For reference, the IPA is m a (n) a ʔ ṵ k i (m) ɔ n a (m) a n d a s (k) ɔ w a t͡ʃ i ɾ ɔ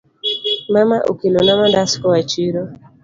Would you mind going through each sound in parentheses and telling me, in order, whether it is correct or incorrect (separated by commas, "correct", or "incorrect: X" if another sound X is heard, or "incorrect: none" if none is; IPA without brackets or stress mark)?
incorrect: m, incorrect: n, correct, correct